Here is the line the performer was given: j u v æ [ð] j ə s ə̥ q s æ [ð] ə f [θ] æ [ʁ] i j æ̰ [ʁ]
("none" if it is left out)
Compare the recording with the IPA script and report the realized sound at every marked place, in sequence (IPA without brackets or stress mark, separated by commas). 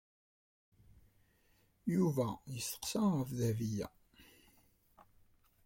none, ʁ, ð, v, none